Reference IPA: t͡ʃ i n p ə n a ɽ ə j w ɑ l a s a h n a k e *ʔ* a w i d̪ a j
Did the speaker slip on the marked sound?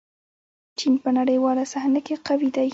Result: yes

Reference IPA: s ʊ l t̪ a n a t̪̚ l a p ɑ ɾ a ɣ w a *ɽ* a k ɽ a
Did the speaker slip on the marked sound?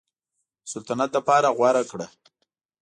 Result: yes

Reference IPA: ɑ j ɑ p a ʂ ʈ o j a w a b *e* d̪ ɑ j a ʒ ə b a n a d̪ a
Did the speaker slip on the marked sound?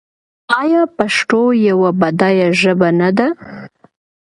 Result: yes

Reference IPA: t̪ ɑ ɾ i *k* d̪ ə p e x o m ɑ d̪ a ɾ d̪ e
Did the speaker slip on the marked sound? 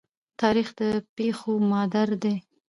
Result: yes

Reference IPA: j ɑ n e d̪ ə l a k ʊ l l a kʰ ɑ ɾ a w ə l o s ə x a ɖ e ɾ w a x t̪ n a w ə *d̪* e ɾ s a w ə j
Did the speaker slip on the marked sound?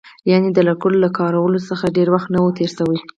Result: yes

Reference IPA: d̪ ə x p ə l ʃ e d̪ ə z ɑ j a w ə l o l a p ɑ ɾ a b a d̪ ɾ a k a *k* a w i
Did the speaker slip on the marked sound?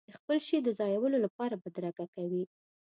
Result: no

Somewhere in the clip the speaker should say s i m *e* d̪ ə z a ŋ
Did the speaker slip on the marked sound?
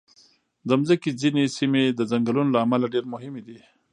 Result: no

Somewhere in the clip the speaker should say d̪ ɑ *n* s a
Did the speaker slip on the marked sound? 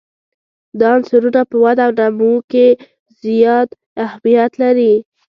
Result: no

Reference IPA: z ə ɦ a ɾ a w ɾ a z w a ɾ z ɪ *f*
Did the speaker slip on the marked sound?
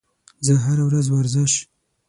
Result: yes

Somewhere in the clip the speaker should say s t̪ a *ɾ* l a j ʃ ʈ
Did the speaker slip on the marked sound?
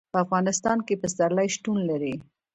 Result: no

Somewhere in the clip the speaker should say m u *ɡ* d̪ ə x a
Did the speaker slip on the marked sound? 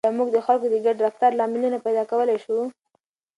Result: no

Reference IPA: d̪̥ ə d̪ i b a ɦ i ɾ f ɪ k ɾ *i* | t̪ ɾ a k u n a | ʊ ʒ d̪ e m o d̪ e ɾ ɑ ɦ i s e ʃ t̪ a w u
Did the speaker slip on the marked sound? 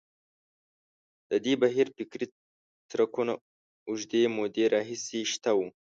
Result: no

